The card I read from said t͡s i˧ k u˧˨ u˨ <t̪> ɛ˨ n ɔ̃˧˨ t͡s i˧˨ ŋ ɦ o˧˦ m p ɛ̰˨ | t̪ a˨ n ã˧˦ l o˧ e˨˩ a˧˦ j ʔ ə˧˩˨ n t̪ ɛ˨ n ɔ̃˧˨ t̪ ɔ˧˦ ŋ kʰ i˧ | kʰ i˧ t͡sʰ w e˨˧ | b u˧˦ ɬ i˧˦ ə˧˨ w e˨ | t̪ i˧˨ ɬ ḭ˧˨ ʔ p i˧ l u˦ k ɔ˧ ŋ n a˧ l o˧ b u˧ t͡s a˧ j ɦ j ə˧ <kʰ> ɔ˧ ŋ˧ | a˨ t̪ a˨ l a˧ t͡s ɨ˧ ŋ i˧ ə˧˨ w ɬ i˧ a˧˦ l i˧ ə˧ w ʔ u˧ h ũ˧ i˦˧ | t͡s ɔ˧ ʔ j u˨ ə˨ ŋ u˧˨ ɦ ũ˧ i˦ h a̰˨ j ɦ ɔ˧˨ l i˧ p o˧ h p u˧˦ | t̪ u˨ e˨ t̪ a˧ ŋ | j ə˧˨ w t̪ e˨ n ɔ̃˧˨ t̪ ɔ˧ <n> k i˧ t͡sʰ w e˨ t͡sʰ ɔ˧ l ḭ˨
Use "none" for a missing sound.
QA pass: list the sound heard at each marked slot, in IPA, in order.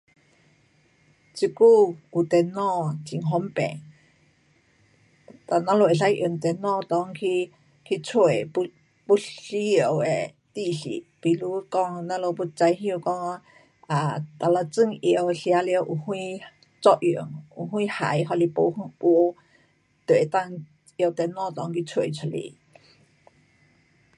t̪, k, ŋ

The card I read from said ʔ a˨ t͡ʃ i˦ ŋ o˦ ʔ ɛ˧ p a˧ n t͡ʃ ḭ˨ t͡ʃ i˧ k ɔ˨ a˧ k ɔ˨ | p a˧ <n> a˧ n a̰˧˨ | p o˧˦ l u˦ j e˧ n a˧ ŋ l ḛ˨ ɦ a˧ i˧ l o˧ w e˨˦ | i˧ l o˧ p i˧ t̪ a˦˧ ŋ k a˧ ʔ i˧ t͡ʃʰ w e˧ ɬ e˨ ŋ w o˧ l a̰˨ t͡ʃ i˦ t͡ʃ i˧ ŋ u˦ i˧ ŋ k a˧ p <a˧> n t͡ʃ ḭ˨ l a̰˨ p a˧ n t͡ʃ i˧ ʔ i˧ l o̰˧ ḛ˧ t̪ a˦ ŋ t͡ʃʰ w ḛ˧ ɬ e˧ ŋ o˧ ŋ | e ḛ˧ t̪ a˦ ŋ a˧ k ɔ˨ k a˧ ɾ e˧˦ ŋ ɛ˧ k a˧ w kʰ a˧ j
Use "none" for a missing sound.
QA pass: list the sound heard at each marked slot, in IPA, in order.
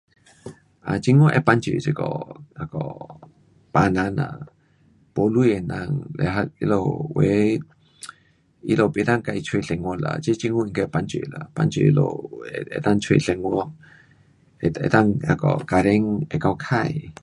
n, a˧

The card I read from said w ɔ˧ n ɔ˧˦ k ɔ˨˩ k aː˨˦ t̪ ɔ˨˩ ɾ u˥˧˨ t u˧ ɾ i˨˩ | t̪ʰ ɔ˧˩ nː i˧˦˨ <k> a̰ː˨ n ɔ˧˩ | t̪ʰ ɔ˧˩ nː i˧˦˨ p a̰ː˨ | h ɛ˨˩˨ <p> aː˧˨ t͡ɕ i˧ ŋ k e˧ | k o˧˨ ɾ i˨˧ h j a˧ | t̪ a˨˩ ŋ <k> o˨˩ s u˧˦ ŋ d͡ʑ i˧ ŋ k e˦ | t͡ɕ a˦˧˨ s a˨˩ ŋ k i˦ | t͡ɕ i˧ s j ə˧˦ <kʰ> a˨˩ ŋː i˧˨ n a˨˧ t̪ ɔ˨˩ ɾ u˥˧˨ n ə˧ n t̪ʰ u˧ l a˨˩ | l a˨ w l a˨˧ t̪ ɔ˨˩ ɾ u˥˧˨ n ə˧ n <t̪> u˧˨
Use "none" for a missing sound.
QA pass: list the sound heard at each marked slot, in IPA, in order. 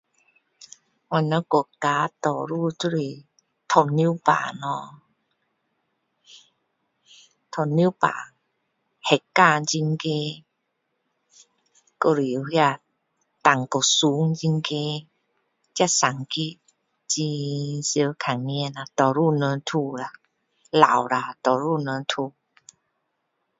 p, k, k, kʰ, t̪ʰ

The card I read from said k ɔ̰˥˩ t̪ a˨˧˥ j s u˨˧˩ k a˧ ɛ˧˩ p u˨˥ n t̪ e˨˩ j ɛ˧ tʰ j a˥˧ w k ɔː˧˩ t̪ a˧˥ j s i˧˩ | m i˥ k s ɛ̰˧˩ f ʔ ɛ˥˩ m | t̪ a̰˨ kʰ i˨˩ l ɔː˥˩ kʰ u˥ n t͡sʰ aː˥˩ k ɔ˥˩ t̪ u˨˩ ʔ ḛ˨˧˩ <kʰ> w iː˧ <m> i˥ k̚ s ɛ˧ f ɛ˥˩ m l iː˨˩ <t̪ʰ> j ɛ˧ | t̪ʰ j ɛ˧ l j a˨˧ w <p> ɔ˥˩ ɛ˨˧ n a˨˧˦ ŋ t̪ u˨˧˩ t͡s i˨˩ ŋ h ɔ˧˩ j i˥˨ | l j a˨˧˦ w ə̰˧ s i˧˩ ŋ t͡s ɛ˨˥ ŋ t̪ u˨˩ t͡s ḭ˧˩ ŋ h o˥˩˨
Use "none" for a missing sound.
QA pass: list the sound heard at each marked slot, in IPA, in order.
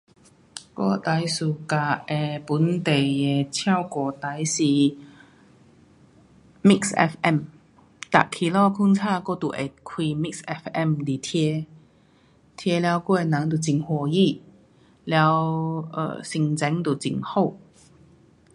kʰ, m, t̪ʰ, k

